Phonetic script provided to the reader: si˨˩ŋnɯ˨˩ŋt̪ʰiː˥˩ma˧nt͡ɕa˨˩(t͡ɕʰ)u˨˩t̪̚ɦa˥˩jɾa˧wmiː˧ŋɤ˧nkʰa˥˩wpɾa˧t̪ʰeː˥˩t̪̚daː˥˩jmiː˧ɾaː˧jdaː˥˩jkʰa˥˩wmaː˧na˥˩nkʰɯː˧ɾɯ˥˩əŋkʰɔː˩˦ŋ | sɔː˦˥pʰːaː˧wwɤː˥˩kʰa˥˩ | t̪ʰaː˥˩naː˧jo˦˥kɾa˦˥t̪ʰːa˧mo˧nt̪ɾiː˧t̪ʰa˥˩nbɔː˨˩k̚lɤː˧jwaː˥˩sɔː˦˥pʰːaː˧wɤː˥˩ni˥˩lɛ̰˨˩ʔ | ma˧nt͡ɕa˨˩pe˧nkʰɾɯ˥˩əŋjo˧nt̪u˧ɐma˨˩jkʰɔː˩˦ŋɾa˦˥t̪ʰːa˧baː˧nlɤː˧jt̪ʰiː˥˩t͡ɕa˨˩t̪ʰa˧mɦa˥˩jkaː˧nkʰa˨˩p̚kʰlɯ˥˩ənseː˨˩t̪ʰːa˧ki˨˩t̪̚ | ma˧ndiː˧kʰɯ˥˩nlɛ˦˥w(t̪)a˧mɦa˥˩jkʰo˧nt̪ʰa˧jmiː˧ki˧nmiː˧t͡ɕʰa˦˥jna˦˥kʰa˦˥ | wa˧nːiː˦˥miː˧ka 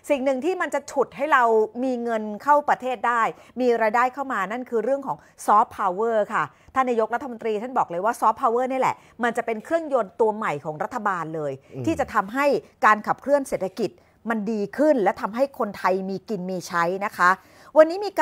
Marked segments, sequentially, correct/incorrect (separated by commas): correct, incorrect